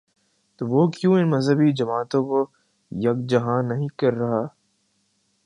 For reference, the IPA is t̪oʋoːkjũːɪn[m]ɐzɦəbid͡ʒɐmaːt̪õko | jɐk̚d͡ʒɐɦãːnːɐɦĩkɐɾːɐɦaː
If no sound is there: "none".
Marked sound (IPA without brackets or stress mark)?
m